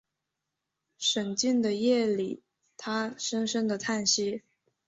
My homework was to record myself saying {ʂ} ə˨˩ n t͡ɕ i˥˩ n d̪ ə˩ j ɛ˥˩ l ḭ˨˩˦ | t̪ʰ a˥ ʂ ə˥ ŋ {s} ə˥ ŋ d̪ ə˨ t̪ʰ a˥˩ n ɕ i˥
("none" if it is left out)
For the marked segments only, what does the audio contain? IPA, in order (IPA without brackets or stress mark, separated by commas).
ʂ, ʂ